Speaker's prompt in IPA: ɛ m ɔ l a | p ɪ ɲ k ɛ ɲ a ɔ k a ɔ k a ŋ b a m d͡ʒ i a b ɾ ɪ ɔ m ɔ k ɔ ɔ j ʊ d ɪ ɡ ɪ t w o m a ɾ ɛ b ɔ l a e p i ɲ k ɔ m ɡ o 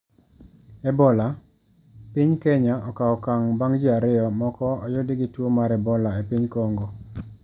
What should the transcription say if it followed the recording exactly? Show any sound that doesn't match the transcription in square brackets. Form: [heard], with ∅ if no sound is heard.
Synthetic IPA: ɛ [b] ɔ l a | p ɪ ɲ k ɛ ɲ a ɔ k a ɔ k a ŋ b a [ŋ] d͡ʒ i a [∅] ɾ ɪ ɔ m ɔ k ɔ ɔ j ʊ d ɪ ɡ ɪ t w o m a ɾ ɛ b ɔ l a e p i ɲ k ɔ [ŋ] ɡ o

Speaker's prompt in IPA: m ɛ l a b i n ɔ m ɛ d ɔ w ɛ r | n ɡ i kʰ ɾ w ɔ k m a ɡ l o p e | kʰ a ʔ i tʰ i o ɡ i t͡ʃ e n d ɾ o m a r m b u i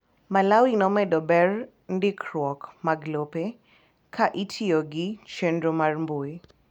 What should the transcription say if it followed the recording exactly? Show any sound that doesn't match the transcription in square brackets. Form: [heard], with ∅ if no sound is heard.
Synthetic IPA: m [a] l a [w] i n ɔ m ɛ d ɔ [b] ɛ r | n [d] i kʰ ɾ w ɔ k m a ɡ l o p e | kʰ a ʔ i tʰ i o ɡ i t͡ʃ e n d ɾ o m a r m b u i

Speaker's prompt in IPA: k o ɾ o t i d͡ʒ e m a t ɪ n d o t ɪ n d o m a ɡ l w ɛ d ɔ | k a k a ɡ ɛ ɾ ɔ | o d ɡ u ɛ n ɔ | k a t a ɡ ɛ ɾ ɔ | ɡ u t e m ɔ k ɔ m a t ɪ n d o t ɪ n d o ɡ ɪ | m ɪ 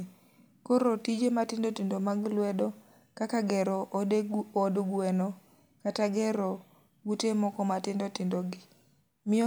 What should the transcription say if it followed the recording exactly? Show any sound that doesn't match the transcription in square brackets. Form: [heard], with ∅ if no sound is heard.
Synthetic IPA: k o ɾ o t i d͡ʒ e m a t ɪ n d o t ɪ n d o m a ɡ l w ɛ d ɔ | k a k a ɡ ɛ ɾ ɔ | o d ɡ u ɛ n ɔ | k a t a ɡ ɛ ɾ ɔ | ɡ u t e m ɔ k ɔ m a t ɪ n d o t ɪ n d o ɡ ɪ | m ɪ

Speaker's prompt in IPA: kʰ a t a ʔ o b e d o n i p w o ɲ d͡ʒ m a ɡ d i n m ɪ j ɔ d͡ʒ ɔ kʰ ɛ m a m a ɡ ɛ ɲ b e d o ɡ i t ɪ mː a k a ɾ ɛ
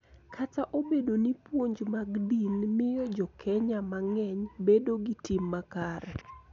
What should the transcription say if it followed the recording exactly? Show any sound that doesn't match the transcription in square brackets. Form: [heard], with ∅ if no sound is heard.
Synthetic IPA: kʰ a t a ʔ o b e d o n i p w o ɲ d͡ʒ m a ɡ d i n m ɪ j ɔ d͡ʒ ɔ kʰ ɛ [ɲ] a m a [ŋ] ɛ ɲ b e d o ɡ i t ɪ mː a k a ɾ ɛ

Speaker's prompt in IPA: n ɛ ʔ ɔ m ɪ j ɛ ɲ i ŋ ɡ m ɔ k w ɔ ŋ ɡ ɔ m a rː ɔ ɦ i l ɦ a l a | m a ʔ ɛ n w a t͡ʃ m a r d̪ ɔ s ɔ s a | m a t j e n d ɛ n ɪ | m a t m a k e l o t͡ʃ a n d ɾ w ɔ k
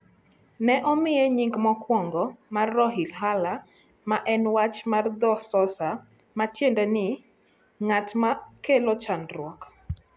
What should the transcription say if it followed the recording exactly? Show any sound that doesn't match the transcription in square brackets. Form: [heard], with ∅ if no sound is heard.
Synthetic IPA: n ɛ ʔ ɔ m ɪ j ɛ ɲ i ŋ ɡ m ɔ k w ɔ ŋ ɡ ɔ m a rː ɔ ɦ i l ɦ a l a | m a ʔ ɛ n w a t͡ʃ m a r d̪ ɔ s ɔ s a | m a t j e n d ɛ n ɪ | [ŋ] a t m a k e l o t͡ʃ a n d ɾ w ɔ k

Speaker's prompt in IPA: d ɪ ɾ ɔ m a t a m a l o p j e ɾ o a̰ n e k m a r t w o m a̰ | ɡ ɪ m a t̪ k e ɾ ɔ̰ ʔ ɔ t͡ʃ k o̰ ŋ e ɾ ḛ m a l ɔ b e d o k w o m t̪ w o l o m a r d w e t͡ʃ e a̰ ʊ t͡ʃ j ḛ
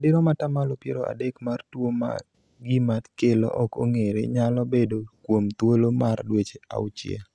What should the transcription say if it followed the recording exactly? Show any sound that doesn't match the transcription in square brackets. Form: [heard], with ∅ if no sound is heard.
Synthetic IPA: d ɪ ɾ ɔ m a t a m a l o p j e ɾ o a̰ [d] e k m a r t w o m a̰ | ɡ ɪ m a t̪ k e [l] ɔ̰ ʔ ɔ [∅] k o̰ ŋ e ɾ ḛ [ɲ] a l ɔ b e d o k w o m t̪ w o l o m a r d w e t͡ʃ e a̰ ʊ t͡ʃ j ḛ

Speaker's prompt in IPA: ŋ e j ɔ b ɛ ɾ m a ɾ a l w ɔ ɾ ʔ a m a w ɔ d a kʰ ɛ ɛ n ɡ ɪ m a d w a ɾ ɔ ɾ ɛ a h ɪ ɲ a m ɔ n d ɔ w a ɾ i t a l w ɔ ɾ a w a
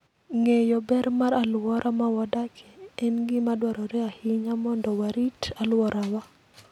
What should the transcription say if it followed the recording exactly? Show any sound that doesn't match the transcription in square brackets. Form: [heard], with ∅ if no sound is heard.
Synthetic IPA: ŋ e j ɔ b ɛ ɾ m a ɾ a l w ɔ ɾ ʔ a m a w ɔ d a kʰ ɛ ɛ n ɡ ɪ m a d w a ɾ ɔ ɾ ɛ a h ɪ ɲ a m ɔ n d ɔ w a ɾ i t a l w ɔ ɾ a w a

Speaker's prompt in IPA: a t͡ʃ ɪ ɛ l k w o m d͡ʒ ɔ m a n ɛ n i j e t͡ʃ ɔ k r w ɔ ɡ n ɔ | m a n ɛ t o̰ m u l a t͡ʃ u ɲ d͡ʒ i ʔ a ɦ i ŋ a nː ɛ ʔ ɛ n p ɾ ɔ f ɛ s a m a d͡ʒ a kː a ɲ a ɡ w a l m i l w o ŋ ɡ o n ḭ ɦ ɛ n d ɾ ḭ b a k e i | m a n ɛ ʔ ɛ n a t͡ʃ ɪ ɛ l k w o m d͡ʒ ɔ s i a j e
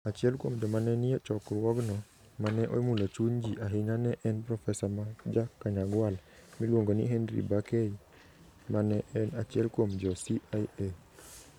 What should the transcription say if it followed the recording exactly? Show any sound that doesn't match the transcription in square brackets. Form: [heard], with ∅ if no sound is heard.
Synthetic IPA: a t͡ʃ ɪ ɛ l k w o m d͡ʒ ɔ m a n ɛ n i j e t͡ʃ ɔ k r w ɔ ɡ n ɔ | m a n ɛ [ʔ] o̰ m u l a t͡ʃ u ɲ d͡ʒ i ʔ a ɦ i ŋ a [n] ɛ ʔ ɛ n p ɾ ɔ f ɛ s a m a d͡ʒ a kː a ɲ a ɡ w a l m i l w o ŋ ɡ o n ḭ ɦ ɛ n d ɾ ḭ b a k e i | m a n ɛ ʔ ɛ n a t͡ʃ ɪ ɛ l k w o m d͡ʒ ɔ s i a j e

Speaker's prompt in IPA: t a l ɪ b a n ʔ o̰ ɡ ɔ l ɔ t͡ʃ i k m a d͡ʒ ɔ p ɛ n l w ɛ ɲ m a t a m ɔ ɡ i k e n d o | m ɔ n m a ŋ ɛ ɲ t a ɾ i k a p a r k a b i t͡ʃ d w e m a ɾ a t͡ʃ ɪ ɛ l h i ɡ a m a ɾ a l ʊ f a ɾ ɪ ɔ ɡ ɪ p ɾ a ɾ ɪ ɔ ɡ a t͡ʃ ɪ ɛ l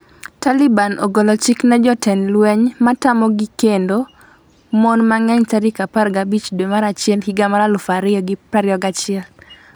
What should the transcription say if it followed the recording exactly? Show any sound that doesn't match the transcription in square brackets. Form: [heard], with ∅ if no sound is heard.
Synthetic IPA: t a l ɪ b a n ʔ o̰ ɡ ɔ l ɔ t͡ʃ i k [n] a d͡ʒ ɔ [t] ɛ n l w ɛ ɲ m a t a m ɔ ɡ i k e n d o | m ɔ n m a ŋ ɛ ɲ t a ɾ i k a p a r [ɡ] a b i t͡ʃ d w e m a ɾ a t͡ʃ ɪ ɛ l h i ɡ a m a ɾ a l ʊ f a ɾ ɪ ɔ ɡ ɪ p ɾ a ɾ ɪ ɔ ɡ a t͡ʃ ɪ ɛ l

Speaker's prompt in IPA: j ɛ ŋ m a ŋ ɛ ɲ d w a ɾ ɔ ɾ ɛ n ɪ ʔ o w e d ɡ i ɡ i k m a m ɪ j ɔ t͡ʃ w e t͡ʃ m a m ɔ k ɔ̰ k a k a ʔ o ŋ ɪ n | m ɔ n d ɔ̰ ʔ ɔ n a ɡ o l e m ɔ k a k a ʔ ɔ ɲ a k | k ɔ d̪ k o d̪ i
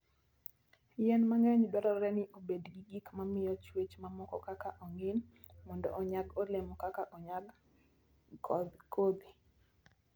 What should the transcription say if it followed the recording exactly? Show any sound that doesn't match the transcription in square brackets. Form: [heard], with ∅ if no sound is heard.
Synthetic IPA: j ɛ [n] m a ŋ ɛ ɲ d w a ɾ ɔ ɾ ɛ n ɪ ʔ o [b] e d ɡ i ɡ i k m a m ɪ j ɔ t͡ʃ w e t͡ʃ m a m ɔ k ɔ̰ k a k a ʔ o ŋ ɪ n | m ɔ n d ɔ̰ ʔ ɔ [ɲ] a ɡ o l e m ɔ k a k a ʔ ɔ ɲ a [ɡ] | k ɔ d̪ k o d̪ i

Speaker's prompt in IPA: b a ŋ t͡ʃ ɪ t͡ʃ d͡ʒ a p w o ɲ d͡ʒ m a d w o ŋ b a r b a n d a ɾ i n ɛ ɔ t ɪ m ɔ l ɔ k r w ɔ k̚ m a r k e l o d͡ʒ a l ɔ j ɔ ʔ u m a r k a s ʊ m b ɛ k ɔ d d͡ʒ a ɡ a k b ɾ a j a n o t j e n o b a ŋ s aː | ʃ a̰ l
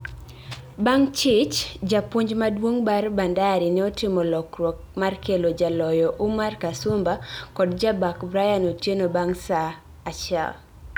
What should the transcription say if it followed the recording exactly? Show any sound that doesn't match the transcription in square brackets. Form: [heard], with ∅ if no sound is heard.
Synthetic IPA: b a ŋ t͡ʃ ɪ t͡ʃ d͡ʒ a p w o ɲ d͡ʒ m a d w o ŋ b a r b a n d a ɾ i n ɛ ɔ t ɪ m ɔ l ɔ k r w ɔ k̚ m a r k e l o d͡ʒ a l ɔ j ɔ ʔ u m a r k a s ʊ m b [a] k ɔ d d͡ʒ a [b] a k b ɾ a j a n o t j e n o b a ŋ s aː | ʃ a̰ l

